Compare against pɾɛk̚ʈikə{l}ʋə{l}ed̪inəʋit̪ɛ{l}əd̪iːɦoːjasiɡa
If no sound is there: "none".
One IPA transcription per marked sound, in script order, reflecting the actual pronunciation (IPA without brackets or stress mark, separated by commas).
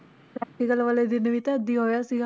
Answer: l, l, none